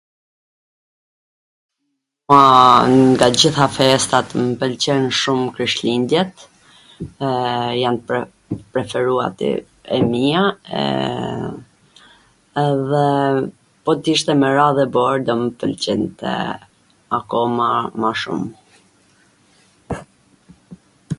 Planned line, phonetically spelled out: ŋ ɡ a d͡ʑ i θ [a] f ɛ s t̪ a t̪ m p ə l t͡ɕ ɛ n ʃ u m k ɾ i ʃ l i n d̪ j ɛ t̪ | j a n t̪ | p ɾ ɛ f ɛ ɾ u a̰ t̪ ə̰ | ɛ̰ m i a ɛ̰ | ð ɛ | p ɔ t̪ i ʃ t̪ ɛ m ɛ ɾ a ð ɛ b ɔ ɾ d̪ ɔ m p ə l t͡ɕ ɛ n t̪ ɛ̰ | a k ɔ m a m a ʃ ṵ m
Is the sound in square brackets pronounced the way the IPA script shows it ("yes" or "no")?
yes